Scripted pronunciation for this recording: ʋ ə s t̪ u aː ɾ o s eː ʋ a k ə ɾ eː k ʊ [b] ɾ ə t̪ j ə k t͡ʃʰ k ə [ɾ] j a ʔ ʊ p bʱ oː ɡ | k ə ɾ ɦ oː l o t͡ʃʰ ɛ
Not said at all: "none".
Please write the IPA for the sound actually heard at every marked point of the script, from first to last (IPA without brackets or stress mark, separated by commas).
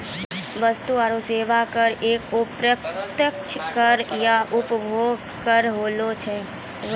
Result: p, ɾ